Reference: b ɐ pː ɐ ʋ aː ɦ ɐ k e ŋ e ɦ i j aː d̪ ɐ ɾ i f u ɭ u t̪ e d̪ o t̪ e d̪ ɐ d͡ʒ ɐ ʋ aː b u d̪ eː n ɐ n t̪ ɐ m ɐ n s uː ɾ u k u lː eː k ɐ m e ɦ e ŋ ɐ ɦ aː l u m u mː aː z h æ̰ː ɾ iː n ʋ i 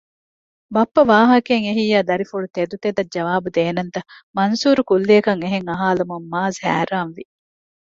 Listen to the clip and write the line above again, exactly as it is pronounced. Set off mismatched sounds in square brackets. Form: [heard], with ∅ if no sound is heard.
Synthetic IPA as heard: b ɐ pː ɐ ʋ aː ɦ ɐ k e ŋ e ɦ i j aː d̪ ɐ ɾ i f u ɭ u t̪ e d̪ [u] t̪ e d̪ ɐ d͡ʒ ɐ ʋ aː b u d̪ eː n ɐ n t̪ ɐ m ɐ n s uː ɾ u k u lː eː k ɐ [ŋ] e ɦ e ŋ ɐ ɦ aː l u m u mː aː z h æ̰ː ɾ [aː] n ʋ i